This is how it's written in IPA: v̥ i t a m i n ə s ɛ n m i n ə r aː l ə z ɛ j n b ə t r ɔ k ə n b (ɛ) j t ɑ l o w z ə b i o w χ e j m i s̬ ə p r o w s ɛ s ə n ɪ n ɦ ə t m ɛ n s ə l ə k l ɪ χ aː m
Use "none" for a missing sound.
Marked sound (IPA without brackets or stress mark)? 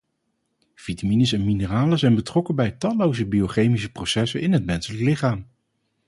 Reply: ɛ